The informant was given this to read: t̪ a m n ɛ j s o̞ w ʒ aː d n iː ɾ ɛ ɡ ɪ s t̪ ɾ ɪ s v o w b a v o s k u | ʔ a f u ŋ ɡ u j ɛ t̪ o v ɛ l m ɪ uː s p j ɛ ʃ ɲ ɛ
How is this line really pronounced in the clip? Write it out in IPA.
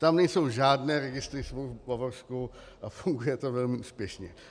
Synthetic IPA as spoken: t̪ a m n ɛ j s o̞ w ʒ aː d n ɛː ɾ ɛ ɡ ɪ s t̪ ɾ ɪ s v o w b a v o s k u | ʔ a f u ŋ ɡ u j ɛ t̪ o v ɛ l m ɪ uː s p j ɛ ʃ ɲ ɛ